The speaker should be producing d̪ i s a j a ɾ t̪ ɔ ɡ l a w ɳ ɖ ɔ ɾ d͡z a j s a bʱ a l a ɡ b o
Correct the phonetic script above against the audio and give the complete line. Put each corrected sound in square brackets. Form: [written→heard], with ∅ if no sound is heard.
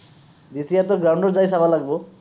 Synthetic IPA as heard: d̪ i s [a→i] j a ɾ t̪ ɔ ɡ [l→ɾ] a w ɳ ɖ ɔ ɾ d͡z a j s a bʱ a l a ɡ b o